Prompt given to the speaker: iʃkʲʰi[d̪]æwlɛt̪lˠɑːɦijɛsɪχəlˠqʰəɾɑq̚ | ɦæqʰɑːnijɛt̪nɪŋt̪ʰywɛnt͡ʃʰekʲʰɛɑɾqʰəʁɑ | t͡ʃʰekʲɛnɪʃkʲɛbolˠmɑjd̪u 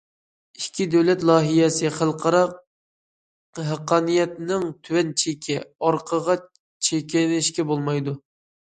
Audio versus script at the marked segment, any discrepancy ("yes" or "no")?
no